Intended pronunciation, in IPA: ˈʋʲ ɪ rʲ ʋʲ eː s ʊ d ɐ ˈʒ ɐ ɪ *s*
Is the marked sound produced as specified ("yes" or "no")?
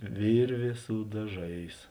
yes